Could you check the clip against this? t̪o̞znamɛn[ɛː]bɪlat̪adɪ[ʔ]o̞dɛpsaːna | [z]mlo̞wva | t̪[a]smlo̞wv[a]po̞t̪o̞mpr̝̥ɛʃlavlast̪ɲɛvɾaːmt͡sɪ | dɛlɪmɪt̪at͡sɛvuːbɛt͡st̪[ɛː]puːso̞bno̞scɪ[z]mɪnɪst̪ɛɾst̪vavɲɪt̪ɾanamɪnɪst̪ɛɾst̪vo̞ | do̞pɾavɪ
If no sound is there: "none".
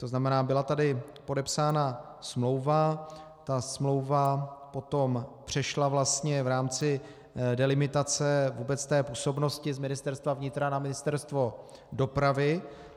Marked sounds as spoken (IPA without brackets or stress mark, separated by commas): aː, p, s, a, a, ɛː, z